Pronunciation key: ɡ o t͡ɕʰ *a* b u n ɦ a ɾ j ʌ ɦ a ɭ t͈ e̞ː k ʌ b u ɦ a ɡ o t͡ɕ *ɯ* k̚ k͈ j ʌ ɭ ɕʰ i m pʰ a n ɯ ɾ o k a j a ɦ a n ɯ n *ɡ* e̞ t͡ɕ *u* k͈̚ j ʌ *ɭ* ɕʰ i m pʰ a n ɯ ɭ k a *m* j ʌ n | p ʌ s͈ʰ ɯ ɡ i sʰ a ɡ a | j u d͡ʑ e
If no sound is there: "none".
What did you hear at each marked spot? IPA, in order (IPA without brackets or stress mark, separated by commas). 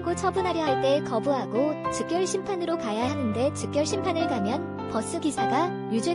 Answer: ʌ, ɯ, d, ɯ, ɭ, m